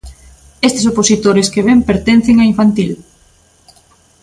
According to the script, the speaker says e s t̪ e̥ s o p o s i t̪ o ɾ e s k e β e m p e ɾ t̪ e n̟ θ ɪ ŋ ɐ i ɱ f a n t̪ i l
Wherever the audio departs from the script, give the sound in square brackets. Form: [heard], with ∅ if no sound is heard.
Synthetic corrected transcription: e s t̪ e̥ s o p o s i t̪ o ɾ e s k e β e m p e ɾ t̪ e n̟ θ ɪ ŋ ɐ i ɱ f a n t̪ i l